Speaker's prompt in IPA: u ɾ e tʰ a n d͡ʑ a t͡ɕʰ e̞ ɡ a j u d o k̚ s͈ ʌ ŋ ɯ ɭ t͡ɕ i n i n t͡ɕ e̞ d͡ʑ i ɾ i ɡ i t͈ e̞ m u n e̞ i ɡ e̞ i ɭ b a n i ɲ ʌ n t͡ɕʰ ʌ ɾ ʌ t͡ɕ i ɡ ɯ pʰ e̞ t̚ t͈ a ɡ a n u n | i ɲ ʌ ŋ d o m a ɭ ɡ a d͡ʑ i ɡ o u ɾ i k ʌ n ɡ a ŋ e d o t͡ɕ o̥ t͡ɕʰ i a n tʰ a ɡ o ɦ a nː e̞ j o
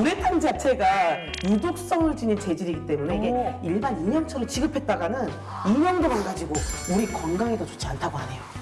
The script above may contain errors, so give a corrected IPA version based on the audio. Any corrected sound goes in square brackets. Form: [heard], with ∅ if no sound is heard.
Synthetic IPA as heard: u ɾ e tʰ a n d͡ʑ a t͡ɕʰ e̞ ɡ a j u d o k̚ s͈ ʌ ŋ ɯ ɭ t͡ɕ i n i n t͡ɕ e̞ d͡ʑ i ɾ i ɡ i t͈ e̞ m u n e̞ i ɡ e̞ i ɭ b a n i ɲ ʌ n t͡ɕʰ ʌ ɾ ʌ t͡ɕ i ɡ ɯ pʰ e̞ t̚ t͈ a ɡ a n [ɯ] n | i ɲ ʌ ŋ d o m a ɭ ɡ a d͡ʑ i ɡ o u ɾ i k ʌ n ɡ a ŋ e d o t͡ɕ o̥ t͡ɕʰ i a n tʰ a ɡ o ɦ a [n] e̞ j o